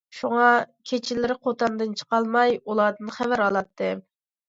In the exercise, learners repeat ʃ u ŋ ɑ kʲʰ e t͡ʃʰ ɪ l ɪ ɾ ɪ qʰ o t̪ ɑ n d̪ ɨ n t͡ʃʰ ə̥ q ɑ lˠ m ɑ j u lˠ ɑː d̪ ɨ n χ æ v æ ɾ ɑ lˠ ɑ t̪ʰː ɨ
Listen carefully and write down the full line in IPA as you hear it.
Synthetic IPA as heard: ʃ u ŋ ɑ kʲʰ e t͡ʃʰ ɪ l ɪ ɾ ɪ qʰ o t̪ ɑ n d̪ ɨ n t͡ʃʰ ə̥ q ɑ lˠ m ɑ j u lˠ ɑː d̪ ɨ n χ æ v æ ɾ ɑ lˠ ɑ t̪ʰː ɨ